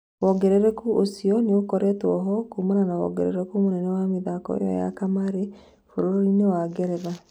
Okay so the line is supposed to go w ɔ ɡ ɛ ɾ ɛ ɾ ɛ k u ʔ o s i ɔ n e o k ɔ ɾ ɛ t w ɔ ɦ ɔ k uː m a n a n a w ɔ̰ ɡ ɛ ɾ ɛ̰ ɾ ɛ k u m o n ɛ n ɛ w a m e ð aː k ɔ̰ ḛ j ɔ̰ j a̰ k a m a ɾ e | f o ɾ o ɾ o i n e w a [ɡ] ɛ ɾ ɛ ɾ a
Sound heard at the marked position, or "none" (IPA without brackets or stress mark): ɡ